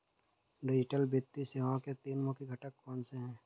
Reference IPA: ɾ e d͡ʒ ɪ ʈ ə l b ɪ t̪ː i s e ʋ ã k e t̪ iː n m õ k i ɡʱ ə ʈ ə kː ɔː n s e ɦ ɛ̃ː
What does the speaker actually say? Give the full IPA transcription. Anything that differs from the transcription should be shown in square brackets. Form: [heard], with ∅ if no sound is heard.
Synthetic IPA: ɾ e d͡ʒ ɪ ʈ ə l b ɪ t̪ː i s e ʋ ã k e t̪ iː n m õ k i ɡʱ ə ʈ ə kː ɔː n s e ɦ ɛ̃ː